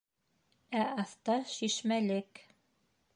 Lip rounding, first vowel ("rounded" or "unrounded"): unrounded